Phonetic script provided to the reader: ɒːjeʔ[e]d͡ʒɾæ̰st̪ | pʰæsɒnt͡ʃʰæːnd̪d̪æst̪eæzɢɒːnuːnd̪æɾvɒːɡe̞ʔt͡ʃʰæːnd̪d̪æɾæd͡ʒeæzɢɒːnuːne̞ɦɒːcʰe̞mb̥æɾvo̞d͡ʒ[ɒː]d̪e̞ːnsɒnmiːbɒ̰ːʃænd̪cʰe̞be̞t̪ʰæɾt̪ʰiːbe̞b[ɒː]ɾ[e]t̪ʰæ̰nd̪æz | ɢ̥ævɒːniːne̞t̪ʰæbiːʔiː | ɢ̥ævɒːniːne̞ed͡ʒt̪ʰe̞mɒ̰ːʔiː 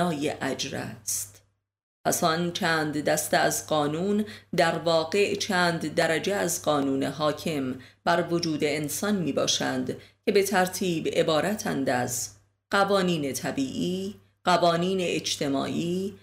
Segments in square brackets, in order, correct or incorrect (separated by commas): incorrect, incorrect, correct, incorrect